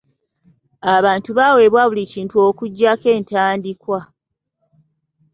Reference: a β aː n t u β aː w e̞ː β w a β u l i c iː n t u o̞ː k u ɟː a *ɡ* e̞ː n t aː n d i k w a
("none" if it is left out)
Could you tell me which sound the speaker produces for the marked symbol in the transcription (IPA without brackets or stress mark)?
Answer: k